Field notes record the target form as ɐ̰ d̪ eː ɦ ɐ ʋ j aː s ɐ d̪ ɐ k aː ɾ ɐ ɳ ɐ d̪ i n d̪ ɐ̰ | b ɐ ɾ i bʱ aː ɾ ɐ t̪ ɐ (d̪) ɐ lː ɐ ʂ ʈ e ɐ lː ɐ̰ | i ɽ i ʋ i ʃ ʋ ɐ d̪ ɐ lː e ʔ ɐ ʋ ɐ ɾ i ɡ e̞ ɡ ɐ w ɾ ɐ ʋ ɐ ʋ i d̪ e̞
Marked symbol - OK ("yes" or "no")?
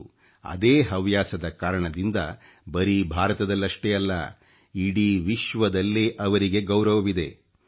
yes